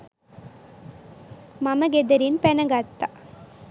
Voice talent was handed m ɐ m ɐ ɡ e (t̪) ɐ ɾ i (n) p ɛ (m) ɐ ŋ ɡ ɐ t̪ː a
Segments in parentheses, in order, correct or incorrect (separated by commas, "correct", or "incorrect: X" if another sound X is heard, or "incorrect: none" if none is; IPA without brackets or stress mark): incorrect: d̪, correct, incorrect: n